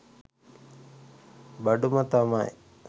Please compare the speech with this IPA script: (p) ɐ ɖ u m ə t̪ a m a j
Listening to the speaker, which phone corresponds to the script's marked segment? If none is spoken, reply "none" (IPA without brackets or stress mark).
b